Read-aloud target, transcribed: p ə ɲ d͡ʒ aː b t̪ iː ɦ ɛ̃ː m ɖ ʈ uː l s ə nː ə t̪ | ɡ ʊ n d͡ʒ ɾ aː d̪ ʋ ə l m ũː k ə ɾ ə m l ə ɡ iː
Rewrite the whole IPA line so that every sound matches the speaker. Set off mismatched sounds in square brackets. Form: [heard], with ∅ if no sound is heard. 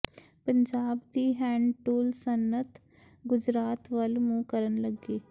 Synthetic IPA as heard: p ə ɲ d͡ʒ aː b [d̪] iː ɦ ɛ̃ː [ɳ] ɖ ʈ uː l s ə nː ə t̪ | ɡ ʊ [∅] d͡ʒ ɾ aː [t̪] ʋ ə l m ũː k ə ɾ ə [n] l ə ɡ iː